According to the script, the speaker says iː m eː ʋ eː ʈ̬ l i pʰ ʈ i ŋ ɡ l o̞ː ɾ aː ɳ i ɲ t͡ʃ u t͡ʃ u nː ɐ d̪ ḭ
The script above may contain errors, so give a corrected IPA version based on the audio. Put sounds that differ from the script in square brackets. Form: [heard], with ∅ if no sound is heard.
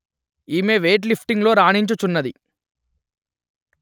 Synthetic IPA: iː m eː ʋ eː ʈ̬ l i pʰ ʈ i ŋ ɡ l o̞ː ɾ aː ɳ i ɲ t͡ʃ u t͡ʃ u nː ɐ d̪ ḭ